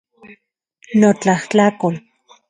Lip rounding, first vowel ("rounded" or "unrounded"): rounded